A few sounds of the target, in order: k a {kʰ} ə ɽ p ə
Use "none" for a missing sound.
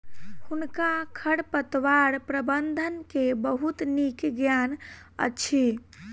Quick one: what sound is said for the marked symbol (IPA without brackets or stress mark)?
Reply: kʰ